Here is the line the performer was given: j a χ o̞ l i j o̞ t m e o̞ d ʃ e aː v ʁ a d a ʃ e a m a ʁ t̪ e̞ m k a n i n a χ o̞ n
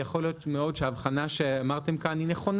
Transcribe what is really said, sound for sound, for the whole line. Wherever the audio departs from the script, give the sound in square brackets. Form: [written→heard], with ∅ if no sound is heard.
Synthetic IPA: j a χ o̞ l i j o̞ t m e o̞ d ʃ e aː v [ʁ→χ] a [d→n] a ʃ e a m a ʁ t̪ e̞ m k a n i n [a→e] χ o̞ n